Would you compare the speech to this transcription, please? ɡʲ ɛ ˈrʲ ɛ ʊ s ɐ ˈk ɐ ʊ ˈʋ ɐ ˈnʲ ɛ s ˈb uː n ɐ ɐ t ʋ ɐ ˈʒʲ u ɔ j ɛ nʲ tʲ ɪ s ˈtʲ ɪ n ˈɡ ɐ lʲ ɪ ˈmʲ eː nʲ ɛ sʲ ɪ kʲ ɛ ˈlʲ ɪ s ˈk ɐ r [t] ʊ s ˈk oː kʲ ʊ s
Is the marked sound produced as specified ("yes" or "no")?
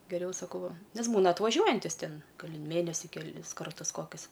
yes